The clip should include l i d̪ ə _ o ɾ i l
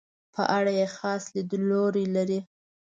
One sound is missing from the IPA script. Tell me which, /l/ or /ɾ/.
l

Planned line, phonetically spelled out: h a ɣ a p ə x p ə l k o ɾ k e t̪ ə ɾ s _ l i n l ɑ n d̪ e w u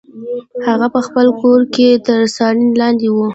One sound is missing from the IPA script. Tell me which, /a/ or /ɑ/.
ɑ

